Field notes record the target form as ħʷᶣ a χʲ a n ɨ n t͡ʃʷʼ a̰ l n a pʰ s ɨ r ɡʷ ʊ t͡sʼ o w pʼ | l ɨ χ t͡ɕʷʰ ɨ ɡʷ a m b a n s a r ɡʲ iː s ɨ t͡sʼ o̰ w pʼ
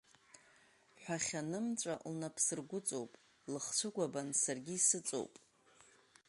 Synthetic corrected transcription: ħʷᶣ a χʲ a n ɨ m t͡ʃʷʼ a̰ l n a pʰ s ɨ r ɡʷ ʊ t͡sʼ o w pʼ | l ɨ χ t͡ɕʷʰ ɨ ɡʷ a b a n s a r ɡʲ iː s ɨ t͡sʼ o̰ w pʼ